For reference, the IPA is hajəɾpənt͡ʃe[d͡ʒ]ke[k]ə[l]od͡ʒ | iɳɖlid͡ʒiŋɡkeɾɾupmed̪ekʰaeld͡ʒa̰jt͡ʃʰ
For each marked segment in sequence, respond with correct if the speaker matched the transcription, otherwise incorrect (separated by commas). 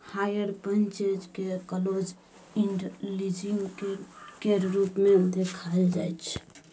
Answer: correct, correct, correct